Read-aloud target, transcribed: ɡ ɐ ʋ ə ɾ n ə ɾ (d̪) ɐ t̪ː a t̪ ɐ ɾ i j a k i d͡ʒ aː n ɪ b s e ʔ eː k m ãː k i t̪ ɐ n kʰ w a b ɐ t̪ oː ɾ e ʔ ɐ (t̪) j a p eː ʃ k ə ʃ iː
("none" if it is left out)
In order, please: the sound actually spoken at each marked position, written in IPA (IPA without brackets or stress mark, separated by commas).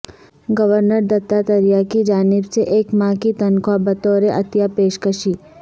d̪, t̪